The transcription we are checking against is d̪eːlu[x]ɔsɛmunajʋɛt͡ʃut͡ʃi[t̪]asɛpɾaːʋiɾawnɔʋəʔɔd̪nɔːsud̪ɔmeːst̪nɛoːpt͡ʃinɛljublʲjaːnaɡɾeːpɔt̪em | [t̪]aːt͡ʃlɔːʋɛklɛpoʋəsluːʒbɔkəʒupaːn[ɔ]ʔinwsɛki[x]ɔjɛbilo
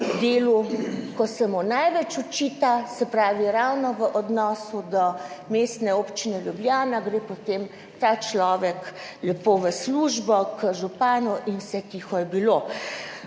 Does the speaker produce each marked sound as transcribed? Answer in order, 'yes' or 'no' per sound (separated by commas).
no, yes, yes, no, yes